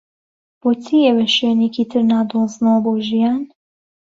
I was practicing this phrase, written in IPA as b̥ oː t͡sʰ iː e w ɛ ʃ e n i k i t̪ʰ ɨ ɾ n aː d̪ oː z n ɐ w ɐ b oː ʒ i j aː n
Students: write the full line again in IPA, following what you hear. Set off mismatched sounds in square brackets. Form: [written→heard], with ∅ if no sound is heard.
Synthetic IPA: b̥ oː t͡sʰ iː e w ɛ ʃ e n [i→e] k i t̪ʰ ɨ ɾ n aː d̪ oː z n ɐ w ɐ b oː ʒ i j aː n